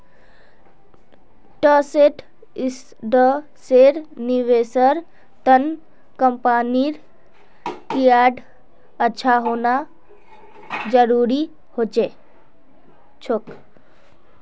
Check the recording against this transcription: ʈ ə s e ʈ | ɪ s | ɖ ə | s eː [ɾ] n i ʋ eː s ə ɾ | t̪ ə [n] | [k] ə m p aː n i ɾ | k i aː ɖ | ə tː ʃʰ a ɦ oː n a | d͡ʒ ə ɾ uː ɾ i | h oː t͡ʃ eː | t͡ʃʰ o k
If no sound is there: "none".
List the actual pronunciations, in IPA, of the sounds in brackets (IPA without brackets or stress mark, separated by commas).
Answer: ɾ, n, k